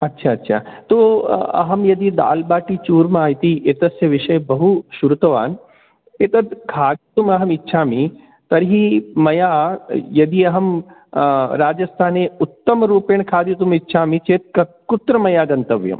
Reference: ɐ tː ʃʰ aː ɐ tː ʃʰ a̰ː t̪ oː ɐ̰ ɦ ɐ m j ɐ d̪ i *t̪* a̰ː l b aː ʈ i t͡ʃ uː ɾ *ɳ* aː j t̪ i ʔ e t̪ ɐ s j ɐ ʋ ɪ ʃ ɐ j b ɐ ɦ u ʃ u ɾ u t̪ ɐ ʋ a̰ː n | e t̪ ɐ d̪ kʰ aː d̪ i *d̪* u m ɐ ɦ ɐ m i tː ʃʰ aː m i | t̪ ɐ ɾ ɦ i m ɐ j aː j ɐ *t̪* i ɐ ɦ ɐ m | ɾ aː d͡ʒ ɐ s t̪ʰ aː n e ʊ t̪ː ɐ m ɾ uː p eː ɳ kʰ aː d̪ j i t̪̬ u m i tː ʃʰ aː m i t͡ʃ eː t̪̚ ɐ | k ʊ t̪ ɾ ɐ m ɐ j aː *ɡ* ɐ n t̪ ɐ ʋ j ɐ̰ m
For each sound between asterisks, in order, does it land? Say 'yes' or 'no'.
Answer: no, no, no, no, yes

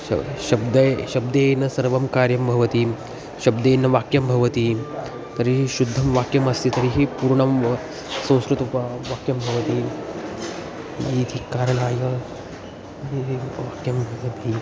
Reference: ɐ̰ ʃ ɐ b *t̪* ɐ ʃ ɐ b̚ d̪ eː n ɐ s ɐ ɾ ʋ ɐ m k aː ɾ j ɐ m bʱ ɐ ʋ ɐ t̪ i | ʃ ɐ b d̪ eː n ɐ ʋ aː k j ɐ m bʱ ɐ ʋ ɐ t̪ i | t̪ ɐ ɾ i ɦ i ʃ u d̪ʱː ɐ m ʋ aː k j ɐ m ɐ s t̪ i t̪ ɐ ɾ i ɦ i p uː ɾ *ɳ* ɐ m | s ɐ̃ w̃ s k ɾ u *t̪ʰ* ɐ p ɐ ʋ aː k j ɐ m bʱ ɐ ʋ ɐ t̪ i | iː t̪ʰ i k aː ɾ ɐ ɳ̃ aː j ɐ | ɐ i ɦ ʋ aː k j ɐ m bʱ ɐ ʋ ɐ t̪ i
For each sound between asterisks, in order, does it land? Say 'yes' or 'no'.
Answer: no, yes, no

